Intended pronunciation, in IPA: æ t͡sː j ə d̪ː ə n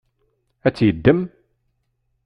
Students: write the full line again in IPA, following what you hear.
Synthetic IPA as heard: æ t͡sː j ə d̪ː ə m